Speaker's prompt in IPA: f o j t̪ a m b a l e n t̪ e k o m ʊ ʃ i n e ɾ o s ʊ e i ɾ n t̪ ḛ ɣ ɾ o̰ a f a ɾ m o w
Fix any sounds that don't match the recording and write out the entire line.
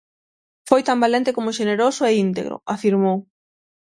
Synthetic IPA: f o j t̪ a m b a l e n t̪ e k o m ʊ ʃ e n e ɾ o s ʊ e i n t̪ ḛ ɣ ɾ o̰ a f i ɾ m o w